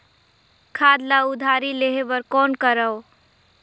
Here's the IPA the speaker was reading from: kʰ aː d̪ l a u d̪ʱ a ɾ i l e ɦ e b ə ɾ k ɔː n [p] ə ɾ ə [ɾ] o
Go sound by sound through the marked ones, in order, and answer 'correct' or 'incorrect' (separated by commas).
incorrect, incorrect